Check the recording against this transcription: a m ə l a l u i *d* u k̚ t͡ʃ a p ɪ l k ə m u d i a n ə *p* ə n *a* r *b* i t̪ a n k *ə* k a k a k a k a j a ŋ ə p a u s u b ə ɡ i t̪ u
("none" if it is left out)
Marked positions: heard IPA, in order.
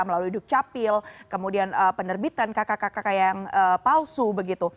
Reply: d, p, ə, b, a

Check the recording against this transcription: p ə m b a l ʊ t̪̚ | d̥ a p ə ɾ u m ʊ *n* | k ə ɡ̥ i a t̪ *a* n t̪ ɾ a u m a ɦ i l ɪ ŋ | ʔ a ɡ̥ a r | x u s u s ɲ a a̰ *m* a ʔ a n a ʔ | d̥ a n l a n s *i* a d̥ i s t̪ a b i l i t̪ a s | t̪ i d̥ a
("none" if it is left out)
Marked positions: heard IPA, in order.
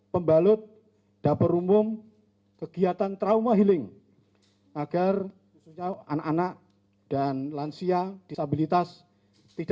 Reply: m, a, n, i

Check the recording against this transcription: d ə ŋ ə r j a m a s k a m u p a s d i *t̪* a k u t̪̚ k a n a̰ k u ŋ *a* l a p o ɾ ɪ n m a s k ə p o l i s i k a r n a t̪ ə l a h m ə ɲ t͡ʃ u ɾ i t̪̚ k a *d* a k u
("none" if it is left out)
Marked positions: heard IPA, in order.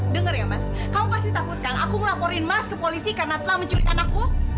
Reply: t̪, ə, n

